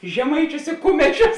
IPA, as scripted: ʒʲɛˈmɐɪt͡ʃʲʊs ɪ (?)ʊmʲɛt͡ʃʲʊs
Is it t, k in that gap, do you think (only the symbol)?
k